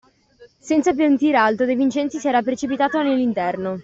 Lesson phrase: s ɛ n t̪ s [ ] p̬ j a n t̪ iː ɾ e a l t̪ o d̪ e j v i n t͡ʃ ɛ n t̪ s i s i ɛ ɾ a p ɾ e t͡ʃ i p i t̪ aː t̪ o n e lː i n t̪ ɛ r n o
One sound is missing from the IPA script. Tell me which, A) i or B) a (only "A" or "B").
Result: B